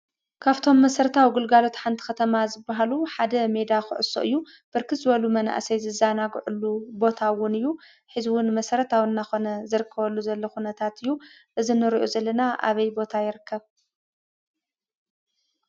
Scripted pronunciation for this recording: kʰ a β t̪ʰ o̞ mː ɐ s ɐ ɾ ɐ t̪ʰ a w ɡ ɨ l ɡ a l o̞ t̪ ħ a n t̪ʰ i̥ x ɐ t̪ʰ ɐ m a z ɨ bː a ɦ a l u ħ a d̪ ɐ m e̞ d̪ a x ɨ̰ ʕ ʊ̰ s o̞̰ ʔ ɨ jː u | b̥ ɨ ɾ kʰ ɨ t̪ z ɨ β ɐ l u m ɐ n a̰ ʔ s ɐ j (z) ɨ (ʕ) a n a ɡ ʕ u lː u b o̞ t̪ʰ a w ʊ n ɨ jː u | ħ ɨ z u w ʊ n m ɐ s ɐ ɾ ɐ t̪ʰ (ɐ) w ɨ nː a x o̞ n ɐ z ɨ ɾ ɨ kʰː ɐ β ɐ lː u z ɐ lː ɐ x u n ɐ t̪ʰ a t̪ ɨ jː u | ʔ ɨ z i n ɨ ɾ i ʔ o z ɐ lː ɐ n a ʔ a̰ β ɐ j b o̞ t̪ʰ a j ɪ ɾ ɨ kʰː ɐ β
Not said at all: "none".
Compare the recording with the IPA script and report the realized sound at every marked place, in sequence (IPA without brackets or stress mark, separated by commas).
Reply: z, z, a